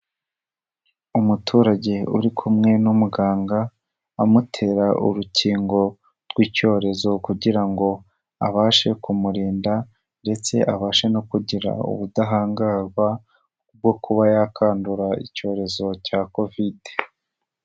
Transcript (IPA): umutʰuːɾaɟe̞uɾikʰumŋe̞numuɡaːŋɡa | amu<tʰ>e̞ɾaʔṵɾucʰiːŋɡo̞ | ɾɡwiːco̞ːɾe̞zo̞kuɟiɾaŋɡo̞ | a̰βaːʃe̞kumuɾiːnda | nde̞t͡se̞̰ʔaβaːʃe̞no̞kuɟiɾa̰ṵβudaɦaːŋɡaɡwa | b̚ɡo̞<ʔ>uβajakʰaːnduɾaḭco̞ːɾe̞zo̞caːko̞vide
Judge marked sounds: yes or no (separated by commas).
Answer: yes, no